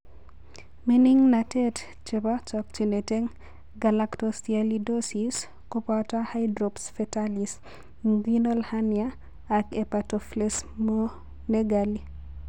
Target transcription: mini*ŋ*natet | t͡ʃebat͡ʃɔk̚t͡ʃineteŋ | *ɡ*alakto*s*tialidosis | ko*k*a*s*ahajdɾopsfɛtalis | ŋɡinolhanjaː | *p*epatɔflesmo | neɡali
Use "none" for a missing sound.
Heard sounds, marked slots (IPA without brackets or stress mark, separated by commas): ŋ, ɡ, s, p, t, k